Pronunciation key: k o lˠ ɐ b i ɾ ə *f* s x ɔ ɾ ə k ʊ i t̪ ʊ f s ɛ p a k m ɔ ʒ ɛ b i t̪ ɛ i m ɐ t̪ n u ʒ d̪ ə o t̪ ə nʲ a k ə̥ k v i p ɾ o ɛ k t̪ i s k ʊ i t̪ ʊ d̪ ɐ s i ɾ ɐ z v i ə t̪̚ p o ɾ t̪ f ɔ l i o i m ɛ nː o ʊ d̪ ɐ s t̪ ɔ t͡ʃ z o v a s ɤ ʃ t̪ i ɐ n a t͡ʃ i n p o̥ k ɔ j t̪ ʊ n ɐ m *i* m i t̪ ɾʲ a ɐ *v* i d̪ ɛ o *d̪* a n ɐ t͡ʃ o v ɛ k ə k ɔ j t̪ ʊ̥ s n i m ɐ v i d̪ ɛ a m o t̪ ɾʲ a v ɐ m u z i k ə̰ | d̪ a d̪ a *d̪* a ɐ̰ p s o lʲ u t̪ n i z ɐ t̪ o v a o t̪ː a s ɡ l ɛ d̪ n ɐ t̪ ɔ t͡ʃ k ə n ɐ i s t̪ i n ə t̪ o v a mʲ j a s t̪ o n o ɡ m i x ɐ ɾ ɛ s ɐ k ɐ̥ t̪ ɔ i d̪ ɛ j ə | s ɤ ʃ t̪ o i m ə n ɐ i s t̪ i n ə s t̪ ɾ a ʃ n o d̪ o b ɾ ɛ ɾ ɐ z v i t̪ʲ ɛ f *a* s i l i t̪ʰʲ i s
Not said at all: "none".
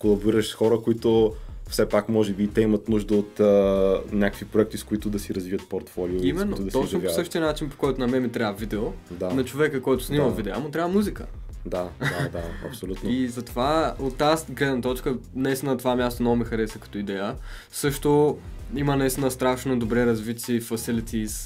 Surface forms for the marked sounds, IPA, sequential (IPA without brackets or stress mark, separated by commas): ʃ, ɛ, v, d̪, d̪, ɐ